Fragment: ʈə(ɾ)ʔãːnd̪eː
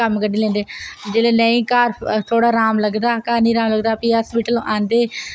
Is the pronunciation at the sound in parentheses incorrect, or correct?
incorrect